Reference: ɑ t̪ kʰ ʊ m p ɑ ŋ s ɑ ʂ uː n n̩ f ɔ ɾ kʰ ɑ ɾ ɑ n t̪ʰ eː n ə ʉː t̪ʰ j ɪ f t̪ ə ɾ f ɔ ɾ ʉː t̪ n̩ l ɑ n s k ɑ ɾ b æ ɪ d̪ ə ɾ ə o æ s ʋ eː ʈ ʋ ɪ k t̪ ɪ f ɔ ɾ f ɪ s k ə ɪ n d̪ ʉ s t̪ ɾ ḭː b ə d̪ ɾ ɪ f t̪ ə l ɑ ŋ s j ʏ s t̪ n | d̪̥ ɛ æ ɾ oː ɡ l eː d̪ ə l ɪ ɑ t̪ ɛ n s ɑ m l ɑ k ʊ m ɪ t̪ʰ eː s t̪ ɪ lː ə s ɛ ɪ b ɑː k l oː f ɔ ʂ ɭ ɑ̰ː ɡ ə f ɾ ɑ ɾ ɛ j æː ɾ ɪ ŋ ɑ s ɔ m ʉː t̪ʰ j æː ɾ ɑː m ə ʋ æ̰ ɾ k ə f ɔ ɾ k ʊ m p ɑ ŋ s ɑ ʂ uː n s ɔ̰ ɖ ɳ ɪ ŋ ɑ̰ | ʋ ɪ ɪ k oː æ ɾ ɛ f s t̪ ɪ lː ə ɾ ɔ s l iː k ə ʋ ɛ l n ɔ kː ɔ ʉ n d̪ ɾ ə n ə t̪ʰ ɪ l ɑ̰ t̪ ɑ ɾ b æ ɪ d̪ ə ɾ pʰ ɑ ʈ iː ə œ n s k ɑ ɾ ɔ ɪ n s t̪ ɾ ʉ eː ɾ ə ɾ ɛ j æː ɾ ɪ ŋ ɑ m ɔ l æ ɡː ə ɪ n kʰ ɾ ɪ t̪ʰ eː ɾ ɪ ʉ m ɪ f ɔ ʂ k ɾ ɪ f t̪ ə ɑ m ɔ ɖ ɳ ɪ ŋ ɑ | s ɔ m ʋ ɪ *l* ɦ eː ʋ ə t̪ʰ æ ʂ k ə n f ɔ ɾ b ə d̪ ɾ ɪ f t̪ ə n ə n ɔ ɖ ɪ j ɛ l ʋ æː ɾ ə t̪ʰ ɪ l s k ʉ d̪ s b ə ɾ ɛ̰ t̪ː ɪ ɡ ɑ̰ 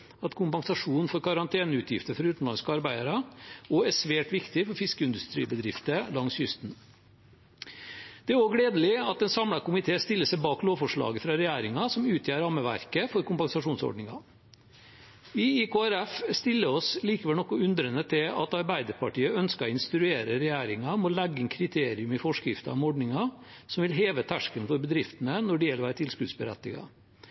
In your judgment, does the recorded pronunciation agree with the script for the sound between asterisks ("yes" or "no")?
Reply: yes